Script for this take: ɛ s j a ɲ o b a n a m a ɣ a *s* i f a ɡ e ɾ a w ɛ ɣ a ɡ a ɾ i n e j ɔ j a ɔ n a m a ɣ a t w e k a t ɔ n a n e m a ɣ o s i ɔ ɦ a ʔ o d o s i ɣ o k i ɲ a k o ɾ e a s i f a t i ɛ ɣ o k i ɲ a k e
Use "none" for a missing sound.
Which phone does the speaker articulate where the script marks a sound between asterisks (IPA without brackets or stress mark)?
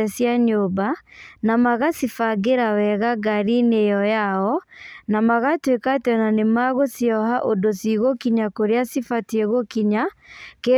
s